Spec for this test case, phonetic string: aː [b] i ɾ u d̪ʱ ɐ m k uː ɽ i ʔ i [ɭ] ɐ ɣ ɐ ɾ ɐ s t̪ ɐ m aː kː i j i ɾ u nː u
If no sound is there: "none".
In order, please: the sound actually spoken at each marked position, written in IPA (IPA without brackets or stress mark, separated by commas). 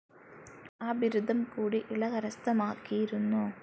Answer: b, ɭ